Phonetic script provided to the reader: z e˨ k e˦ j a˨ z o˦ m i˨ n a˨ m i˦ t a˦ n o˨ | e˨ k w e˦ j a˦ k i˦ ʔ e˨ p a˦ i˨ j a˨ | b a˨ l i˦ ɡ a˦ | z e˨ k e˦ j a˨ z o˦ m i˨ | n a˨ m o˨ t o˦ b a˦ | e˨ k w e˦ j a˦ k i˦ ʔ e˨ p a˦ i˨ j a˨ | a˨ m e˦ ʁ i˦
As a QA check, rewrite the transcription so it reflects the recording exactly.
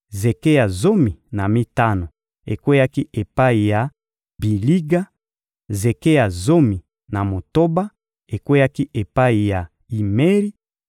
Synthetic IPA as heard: z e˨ k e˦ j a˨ z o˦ m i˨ n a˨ m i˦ t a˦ n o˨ | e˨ k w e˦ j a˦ k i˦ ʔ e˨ p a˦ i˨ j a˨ | b i˨ l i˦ ɡ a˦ | z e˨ k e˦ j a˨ z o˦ m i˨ | n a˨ m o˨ t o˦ b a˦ | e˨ k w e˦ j a˦ k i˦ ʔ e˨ p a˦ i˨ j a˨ | i˨ m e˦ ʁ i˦